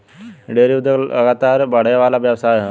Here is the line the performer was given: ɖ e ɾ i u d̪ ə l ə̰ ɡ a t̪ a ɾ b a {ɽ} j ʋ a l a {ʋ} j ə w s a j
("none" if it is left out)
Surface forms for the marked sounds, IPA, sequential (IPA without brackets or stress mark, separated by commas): ɽ, ʋ